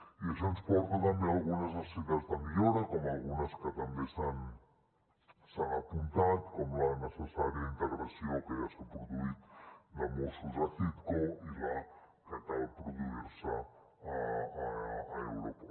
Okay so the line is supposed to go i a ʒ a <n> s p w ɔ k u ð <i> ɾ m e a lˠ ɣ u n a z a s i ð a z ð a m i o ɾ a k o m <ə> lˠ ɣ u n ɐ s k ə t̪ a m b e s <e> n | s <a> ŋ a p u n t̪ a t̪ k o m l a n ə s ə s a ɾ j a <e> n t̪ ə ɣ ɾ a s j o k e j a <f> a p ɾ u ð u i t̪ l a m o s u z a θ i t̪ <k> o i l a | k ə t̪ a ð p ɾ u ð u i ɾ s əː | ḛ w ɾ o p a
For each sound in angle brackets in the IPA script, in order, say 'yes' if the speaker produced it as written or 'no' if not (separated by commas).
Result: yes, no, no, no, yes, no, no, yes